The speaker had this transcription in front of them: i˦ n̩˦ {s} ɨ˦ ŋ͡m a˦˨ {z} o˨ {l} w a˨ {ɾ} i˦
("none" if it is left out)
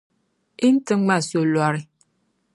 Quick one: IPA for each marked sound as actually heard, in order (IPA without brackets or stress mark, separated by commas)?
t, s, l, ɾ